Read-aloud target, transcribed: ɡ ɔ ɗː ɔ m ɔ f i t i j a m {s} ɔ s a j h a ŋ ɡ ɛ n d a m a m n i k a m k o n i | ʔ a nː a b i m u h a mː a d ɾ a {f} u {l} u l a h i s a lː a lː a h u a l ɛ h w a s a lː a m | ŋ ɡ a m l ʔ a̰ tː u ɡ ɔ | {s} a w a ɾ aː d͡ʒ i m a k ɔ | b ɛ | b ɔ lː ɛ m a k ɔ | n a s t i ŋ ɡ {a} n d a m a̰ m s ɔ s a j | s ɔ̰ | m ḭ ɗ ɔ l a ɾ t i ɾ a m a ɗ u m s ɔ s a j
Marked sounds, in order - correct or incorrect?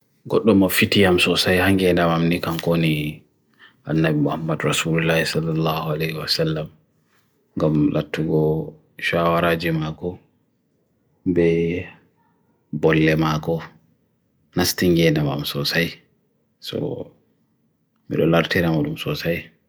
correct, incorrect, correct, incorrect, incorrect

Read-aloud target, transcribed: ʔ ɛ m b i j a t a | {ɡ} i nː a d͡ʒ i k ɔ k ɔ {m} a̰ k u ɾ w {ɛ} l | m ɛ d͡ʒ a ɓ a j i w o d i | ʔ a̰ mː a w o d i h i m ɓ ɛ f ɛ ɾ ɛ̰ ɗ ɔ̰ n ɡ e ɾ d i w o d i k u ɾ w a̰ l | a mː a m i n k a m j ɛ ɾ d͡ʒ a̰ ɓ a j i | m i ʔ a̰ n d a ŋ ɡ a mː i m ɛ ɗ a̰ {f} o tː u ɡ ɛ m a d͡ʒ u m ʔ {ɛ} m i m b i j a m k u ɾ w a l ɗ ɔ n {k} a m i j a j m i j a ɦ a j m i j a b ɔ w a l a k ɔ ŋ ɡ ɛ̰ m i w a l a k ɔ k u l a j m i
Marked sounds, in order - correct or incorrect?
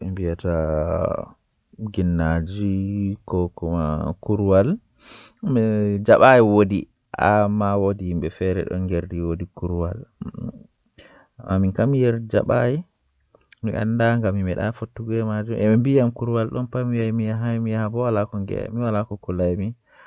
correct, correct, incorrect, correct, correct, incorrect

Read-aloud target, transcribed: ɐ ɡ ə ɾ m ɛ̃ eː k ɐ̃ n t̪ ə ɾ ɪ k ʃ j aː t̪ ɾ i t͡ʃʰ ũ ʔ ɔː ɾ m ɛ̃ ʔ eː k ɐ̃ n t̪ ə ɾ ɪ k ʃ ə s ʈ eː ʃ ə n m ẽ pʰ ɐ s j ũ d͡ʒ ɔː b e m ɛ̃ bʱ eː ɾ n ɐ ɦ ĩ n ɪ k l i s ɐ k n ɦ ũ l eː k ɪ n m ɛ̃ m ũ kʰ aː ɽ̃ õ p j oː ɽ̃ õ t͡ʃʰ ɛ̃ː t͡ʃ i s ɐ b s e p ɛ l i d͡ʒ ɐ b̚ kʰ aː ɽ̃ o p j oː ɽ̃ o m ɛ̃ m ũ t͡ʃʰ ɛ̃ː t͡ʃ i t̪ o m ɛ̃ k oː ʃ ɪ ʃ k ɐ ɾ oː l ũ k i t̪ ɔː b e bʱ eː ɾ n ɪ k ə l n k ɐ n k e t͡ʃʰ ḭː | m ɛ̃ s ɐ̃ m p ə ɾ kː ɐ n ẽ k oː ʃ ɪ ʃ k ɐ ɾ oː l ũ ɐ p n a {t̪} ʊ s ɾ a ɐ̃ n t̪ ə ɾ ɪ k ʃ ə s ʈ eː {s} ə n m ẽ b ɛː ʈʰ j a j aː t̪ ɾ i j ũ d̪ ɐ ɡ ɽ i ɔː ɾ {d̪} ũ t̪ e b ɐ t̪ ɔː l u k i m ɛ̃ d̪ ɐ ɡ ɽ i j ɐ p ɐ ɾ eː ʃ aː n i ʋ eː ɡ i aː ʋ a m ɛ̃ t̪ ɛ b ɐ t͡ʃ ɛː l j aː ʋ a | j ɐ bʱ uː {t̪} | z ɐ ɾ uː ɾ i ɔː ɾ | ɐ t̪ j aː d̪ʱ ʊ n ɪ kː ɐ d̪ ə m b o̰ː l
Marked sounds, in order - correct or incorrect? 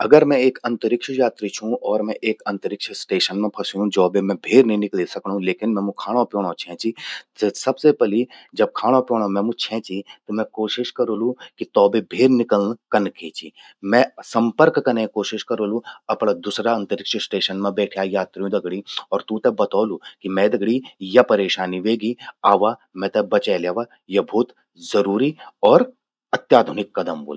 incorrect, incorrect, incorrect, correct

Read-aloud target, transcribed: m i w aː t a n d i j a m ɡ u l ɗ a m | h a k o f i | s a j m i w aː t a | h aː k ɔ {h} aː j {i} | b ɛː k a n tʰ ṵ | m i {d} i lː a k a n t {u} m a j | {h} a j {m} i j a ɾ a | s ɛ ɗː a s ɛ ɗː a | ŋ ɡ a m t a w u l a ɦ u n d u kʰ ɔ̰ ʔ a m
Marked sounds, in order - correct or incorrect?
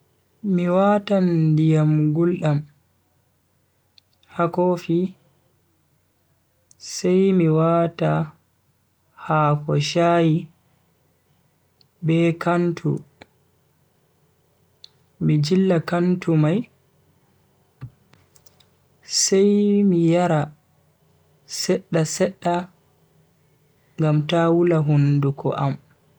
incorrect, correct, incorrect, correct, incorrect, correct

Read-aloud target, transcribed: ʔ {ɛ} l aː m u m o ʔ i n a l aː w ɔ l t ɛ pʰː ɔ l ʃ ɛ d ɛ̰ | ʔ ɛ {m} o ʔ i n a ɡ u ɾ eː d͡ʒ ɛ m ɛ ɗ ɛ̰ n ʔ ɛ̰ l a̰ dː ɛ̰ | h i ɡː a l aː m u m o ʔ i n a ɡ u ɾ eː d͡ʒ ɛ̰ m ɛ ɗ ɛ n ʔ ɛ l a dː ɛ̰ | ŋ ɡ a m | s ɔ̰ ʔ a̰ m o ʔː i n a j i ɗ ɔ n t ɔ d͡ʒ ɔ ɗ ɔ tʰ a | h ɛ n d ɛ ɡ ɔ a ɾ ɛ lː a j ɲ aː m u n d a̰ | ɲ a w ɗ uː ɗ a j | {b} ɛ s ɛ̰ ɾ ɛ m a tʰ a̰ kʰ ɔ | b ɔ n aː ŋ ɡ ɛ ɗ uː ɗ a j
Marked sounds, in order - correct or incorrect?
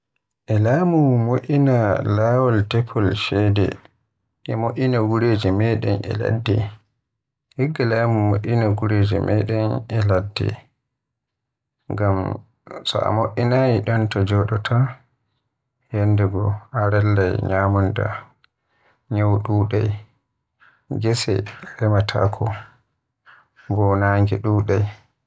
correct, correct, incorrect

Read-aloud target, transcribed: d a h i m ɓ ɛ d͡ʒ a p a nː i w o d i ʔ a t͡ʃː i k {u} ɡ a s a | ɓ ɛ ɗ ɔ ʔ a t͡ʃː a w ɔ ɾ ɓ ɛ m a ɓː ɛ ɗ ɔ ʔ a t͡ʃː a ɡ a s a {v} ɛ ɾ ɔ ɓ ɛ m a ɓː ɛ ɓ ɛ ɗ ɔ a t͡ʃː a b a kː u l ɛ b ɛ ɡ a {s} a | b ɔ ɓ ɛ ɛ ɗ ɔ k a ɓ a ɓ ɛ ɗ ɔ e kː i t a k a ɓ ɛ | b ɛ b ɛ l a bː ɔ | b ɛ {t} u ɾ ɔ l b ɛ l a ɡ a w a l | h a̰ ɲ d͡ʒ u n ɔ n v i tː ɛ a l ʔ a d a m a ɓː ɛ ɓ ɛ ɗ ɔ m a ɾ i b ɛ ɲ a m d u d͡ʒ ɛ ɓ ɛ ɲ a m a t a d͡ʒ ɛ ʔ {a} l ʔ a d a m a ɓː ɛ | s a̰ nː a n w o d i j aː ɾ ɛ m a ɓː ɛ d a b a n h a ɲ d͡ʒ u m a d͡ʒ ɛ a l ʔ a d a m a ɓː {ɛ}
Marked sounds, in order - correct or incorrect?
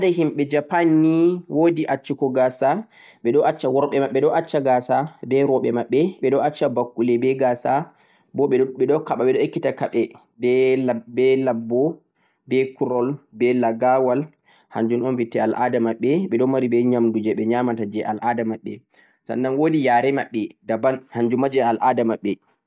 incorrect, incorrect, correct, incorrect, correct, correct

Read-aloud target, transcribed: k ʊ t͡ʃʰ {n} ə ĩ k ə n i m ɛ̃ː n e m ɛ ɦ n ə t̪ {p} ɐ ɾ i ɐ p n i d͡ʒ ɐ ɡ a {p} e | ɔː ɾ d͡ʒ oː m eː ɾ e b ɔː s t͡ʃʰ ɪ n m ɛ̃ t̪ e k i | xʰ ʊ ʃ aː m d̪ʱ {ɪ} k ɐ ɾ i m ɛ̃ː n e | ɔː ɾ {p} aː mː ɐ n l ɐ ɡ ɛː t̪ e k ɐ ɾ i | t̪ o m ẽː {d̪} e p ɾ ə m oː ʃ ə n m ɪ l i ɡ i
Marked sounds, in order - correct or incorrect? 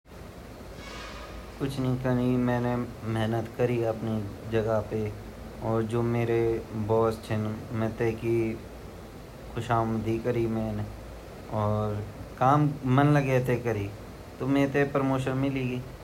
correct, incorrect, correct, incorrect, incorrect, incorrect

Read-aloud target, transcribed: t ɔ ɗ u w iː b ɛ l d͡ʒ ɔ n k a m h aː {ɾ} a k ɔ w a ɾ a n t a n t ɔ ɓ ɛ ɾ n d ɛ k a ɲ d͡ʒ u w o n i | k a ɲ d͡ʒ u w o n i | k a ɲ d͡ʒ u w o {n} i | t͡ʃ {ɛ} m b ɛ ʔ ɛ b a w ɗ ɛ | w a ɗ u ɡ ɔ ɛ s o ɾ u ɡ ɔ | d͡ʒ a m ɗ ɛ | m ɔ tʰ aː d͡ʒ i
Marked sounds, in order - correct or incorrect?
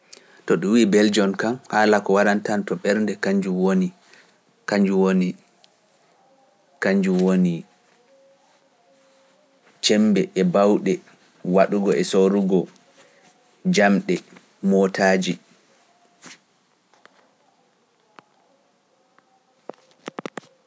incorrect, correct, correct

